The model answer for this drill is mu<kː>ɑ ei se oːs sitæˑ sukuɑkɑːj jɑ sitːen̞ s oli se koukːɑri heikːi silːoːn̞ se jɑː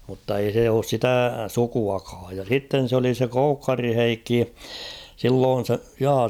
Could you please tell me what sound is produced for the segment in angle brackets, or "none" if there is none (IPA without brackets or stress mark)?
tː